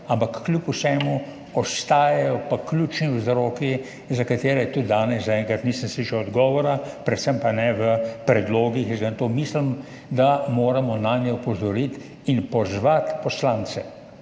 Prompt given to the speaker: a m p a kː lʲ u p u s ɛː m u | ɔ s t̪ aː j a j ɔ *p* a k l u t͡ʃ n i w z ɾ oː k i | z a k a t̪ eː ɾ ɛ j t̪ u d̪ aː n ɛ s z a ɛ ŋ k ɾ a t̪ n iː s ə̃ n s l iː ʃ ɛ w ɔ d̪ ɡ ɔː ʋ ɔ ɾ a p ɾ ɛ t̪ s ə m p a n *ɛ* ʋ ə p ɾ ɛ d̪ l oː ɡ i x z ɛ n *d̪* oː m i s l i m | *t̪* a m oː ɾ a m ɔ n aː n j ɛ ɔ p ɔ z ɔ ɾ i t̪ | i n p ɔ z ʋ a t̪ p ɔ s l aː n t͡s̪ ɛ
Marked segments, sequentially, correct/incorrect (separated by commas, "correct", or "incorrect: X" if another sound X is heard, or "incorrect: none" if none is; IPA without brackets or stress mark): correct, correct, incorrect: t̪, incorrect: d̪